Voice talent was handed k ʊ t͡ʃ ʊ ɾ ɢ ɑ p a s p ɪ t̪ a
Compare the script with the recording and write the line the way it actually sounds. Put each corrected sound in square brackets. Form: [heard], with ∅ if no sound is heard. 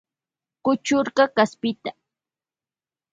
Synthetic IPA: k ʊ t͡ʃ ʊ ɾ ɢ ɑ [k] a s p ɪ t̪ a